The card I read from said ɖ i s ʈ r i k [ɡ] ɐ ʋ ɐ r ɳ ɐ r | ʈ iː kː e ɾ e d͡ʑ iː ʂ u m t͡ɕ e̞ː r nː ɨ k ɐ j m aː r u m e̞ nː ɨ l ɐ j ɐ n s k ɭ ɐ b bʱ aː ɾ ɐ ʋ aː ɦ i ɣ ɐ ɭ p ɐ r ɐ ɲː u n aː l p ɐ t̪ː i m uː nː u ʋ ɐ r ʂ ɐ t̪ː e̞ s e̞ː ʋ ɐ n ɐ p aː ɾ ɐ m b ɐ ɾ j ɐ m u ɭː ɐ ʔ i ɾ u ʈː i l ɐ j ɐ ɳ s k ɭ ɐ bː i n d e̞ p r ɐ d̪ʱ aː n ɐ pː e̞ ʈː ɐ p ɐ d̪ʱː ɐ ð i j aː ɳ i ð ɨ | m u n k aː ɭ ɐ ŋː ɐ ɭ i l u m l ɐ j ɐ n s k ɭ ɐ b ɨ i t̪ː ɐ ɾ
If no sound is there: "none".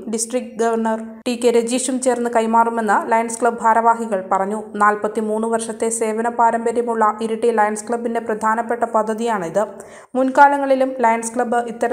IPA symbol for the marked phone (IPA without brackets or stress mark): ɡ